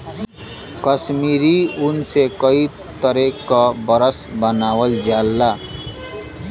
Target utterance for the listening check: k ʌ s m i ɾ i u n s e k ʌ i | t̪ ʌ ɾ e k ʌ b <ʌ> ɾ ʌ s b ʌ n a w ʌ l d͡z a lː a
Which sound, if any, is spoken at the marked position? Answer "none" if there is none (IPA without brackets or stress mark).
ʌ